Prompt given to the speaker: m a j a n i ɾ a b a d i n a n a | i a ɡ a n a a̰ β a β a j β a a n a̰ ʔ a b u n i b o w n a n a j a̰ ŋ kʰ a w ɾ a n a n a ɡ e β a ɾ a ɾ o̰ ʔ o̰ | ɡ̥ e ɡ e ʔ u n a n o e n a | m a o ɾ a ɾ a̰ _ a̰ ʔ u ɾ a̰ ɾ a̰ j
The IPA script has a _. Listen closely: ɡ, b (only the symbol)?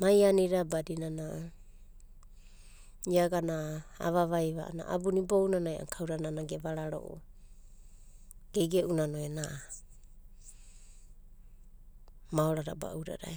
b